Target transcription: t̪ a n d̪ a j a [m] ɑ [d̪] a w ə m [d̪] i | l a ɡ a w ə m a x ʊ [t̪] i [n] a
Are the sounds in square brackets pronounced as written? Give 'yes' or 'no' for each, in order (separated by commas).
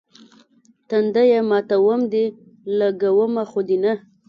yes, no, yes, no, yes